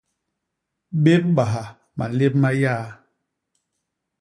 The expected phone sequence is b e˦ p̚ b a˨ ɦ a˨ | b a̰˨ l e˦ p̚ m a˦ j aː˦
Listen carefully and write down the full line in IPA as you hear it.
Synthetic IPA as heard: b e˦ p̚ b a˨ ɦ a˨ | m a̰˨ l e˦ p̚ m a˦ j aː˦